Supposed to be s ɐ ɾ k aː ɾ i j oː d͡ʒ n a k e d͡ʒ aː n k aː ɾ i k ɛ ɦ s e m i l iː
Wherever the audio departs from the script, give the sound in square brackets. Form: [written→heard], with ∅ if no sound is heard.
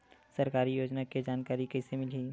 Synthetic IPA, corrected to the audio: s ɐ ɾ k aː ɾ i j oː d͡ʒ n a k e d͡ʒ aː n k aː ɾ i k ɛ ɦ s e m [i→ɪ] l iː